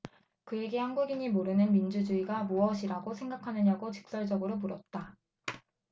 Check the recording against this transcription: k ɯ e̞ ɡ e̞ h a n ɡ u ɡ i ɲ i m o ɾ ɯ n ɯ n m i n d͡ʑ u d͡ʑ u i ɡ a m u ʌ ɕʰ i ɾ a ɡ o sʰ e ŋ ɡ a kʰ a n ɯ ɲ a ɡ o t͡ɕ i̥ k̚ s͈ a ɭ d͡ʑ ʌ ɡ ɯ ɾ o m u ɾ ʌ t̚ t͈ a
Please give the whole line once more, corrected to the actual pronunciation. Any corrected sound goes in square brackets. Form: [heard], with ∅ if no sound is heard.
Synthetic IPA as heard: k ɯ e̞ ɡ e̞ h a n ɡ u ɡ i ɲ i m o ɾ ɯ n ɯ n m i n d͡ʑ u d͡ʑ u i ɡ a m u ʌ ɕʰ i ɾ a ɡ o sʰ e ŋ ɡ a kʰ a n ɯ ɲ a ɡ o t͡ɕ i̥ k̚ s͈ [ʌ] ɭ d͡ʑ ʌ ɡ ɯ ɾ o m u ɾ ʌ t̚ t͈ a